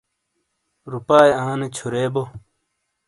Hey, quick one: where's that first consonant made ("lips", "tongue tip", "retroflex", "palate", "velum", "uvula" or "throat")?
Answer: tongue tip